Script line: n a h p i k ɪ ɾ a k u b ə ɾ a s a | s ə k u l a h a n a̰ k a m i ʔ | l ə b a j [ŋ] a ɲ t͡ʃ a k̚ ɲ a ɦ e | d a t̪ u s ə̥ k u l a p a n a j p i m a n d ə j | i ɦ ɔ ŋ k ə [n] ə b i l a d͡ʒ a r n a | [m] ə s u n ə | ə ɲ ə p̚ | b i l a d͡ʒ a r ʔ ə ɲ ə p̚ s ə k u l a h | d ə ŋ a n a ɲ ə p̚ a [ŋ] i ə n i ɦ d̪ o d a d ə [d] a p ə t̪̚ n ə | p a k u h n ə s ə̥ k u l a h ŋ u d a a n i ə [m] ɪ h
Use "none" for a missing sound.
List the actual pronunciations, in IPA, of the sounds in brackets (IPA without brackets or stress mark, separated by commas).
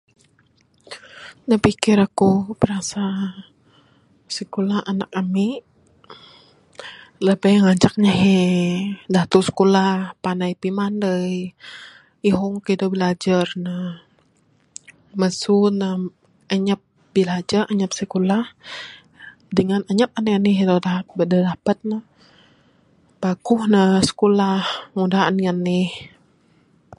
ŋ, d, m, n, d, n